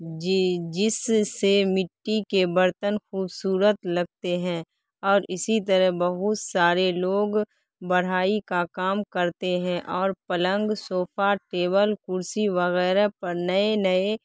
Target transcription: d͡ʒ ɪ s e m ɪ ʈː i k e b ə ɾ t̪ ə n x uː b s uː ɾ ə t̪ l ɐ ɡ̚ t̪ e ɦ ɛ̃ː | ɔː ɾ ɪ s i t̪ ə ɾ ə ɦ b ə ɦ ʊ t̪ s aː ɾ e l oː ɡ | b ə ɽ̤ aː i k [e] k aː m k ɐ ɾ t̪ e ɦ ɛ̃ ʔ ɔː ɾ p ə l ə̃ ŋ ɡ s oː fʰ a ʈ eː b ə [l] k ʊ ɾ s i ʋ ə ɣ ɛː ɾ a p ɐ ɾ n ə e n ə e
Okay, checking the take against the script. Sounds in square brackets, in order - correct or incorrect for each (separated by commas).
incorrect, correct